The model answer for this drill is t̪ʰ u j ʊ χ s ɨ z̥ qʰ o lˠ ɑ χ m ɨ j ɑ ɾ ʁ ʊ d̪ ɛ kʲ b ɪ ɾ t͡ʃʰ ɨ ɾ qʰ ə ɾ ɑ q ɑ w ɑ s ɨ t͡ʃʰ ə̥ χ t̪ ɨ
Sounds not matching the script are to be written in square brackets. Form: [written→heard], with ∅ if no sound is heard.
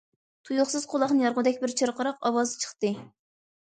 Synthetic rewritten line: t̪ʰ u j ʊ χ s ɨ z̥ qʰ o lˠ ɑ χ [m→n] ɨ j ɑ ɾ ʁ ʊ d̪ ɛ kʲ b ɪ ɾ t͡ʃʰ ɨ ɾ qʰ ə ɾ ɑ q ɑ w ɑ [s→z] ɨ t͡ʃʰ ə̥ χ t̪ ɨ